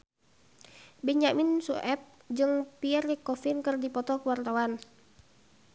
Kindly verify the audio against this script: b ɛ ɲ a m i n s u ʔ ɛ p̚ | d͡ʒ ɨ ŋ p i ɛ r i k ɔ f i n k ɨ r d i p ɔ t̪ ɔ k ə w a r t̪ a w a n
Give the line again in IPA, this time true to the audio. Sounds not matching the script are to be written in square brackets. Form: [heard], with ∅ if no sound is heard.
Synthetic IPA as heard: b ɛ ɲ a m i n s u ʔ ɛ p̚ | d͡ʒ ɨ ŋ p i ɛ r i k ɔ f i n k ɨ r d i p ɔ t̪ ɔ k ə w a r t̪ a w a n